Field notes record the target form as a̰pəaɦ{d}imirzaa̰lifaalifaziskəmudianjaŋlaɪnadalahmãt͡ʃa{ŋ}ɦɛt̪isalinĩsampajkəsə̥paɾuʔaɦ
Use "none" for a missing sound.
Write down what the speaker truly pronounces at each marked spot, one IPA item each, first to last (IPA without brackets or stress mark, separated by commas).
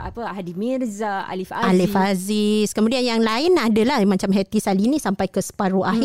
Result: d, m